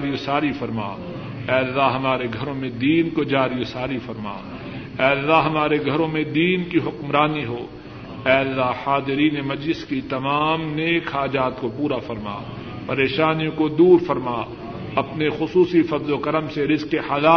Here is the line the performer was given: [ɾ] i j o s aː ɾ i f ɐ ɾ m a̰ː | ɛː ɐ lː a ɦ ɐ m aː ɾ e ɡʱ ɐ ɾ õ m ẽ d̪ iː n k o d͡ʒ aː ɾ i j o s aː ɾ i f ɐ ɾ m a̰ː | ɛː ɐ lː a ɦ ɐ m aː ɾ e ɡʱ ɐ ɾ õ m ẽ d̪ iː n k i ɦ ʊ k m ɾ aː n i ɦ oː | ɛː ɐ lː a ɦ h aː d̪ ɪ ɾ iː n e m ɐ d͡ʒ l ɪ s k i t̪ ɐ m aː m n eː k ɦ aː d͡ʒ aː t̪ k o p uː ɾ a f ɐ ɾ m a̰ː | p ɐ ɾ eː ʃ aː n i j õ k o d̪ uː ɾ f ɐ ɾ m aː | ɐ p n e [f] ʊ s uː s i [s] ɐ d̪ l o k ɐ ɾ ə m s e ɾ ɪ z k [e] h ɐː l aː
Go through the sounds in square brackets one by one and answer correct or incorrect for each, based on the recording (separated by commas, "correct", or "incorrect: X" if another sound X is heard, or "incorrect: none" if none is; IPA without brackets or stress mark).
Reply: correct, incorrect: x, incorrect: f, correct